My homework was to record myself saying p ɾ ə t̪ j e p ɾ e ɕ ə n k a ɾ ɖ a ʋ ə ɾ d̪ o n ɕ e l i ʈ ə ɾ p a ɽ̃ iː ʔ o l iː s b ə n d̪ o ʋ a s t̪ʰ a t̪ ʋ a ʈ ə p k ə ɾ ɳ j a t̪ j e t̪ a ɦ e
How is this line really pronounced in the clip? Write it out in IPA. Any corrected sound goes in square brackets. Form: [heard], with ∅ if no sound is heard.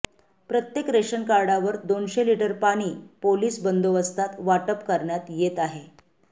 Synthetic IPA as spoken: p ɾ ə t̪ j e [k] ɾ e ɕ ə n k a ɾ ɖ a ʋ ə ɾ d̪ o n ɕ e l i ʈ ə ɾ p a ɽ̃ iː [p] o l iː s b ə n d̪ o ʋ [ə] s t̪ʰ a t̪ ʋ a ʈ ə p k ə ɾ ɳ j a t̪ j e t̪ a ɦ e